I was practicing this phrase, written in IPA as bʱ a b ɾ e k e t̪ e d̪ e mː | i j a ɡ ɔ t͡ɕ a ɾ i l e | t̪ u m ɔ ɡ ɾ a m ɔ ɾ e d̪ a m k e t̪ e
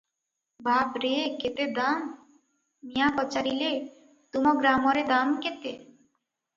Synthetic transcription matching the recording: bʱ a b ɾ e k e t̪ e d̪ a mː | i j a k ɔ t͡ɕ a ɾ i l e | t̪ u m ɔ ɡ ɾ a m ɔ ɾ e d̪ a m k e t̪ e